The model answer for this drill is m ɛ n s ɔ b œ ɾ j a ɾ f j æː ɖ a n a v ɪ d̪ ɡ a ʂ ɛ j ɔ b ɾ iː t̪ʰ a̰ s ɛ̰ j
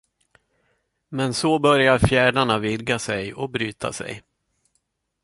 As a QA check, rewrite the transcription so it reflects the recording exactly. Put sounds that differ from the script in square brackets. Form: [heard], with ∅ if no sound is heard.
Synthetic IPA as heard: m ɛ n s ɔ b œ ɾ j a ɾ f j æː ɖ a [ɳ] a v ɪ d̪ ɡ a [s] ɛ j ɔ b ɾ [yː] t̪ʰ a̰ s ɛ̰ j